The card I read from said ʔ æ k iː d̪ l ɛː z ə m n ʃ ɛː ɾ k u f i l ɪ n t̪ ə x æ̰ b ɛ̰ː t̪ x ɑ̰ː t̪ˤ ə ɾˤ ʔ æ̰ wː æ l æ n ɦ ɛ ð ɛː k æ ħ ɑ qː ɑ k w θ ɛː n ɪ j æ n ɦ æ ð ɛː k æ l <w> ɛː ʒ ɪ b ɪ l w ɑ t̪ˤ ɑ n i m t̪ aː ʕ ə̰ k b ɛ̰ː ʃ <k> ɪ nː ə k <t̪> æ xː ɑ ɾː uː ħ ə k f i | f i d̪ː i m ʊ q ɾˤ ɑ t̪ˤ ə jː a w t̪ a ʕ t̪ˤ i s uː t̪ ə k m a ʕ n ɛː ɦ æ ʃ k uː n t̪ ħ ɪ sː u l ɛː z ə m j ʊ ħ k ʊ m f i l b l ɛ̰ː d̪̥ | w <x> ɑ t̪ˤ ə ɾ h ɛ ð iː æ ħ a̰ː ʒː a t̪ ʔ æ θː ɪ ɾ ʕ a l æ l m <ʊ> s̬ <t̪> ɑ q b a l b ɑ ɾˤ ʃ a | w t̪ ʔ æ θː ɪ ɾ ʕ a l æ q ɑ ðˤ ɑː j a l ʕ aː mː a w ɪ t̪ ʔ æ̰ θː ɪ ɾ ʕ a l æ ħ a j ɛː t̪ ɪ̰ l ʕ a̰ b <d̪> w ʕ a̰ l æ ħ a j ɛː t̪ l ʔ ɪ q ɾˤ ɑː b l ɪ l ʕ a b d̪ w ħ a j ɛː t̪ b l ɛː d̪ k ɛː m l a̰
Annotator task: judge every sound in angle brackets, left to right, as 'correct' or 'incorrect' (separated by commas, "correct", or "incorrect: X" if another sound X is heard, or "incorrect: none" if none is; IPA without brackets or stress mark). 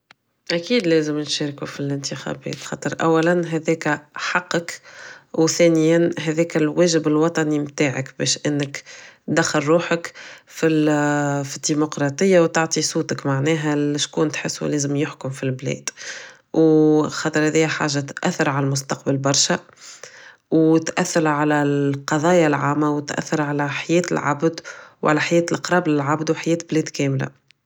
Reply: correct, incorrect: ʔ, incorrect: d̪, correct, correct, correct, correct